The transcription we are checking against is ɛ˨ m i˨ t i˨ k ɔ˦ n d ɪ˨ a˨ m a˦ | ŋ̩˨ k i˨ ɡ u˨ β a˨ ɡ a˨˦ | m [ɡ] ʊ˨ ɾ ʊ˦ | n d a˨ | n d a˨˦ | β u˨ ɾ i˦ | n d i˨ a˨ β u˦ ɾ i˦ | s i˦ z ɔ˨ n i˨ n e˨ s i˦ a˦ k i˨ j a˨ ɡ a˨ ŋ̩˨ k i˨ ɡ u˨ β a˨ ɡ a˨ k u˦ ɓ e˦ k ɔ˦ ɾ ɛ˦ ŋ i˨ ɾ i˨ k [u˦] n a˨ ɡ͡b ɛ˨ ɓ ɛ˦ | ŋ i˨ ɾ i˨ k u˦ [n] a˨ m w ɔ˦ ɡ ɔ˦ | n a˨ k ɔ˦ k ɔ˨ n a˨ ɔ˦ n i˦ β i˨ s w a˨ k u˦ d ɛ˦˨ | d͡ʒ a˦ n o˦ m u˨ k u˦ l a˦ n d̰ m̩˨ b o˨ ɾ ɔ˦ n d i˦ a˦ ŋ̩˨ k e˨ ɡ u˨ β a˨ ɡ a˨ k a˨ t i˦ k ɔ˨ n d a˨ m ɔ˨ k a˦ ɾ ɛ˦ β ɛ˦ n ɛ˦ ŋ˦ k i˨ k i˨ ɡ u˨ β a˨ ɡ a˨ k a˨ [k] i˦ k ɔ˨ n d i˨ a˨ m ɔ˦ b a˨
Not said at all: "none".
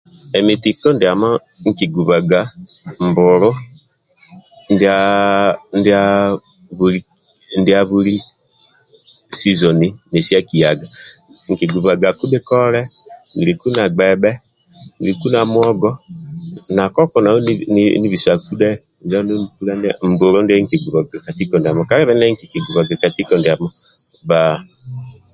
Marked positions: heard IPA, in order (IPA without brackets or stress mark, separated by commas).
b, u˦, n, t